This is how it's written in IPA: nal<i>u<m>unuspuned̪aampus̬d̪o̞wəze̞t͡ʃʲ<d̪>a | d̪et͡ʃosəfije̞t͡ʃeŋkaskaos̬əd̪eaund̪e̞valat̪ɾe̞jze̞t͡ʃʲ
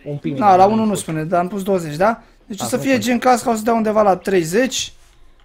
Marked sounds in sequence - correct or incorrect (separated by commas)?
incorrect, incorrect, correct